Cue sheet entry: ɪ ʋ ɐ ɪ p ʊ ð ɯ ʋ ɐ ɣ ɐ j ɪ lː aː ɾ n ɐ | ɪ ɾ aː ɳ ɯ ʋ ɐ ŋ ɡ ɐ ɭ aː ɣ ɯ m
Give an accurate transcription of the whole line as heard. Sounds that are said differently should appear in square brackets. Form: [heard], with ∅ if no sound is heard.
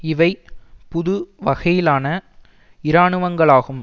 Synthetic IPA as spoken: ɪ ʋ ɐ ɪ p ʊ ð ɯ ʋ ɐ ɣ ɐ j ɪ [l] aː [∅] n ɐ | ɪ ɾ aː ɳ ɯ ʋ ɐ ŋ ɡ ɐ ɭ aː ɣ ɯ m